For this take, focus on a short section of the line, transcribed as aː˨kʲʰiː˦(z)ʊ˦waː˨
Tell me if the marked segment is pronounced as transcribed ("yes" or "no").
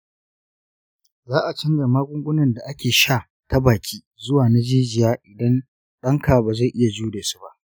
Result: yes